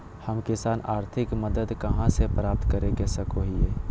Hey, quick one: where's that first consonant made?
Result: throat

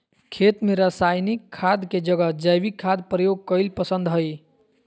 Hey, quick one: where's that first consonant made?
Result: velum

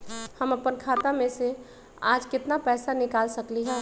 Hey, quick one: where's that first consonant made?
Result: throat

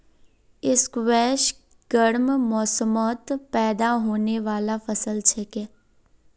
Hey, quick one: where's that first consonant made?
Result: tongue tip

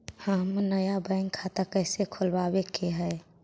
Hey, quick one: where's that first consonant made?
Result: throat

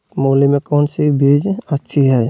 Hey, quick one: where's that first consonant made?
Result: lips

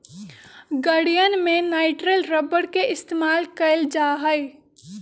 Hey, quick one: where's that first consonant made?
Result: velum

